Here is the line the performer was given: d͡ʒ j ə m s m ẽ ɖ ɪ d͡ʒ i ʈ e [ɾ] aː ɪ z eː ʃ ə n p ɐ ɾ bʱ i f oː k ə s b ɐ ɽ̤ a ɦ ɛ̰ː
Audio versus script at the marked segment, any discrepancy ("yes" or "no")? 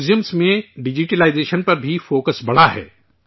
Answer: yes